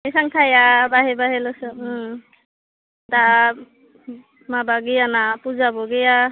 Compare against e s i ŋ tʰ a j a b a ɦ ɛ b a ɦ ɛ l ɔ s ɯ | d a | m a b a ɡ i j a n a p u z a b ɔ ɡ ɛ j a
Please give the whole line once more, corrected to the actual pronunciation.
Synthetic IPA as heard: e s a ŋ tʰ a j a b a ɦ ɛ b a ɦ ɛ l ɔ s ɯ | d a | m a b a ɡ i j a n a p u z a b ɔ ɡ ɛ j a